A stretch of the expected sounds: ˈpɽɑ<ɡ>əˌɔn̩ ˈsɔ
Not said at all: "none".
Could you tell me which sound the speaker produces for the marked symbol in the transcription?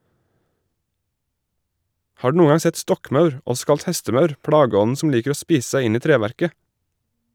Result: ɡ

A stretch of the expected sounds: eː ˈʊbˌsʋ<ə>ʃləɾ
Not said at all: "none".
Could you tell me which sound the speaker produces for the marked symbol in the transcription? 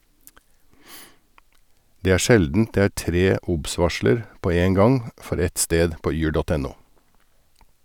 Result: ɑ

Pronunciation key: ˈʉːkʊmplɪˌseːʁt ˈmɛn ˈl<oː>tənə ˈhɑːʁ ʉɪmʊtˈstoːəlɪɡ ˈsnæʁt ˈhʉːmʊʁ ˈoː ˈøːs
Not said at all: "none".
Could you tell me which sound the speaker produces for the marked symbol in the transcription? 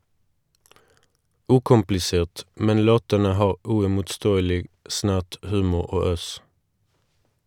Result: oː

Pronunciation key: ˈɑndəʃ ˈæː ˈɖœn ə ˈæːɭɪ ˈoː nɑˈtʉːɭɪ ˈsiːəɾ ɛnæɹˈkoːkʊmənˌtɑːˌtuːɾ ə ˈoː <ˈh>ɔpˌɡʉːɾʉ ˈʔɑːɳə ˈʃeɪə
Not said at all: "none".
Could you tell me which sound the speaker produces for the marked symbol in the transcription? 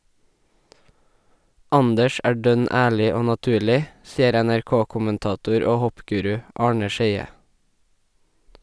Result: h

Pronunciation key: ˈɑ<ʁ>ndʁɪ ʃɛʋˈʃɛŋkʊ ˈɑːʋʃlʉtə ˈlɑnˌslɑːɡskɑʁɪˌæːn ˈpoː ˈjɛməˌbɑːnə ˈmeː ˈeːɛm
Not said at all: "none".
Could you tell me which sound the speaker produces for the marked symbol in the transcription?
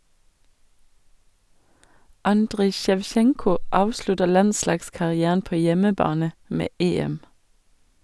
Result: none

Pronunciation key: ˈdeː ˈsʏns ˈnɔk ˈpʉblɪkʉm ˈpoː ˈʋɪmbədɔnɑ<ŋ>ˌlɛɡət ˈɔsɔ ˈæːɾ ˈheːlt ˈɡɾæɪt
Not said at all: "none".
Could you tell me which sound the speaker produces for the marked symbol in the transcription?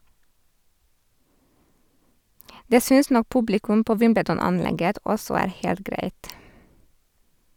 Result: n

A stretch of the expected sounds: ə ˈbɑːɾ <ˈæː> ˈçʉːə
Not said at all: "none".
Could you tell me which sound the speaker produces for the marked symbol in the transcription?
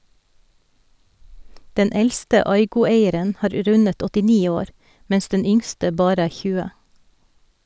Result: æː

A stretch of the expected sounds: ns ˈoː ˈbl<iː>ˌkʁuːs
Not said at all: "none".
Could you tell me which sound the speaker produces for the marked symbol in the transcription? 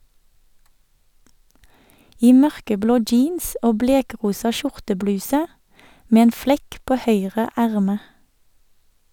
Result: eː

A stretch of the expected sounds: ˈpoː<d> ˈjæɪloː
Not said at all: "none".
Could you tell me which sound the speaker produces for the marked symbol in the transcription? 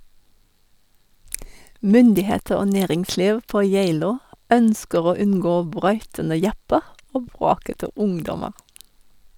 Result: none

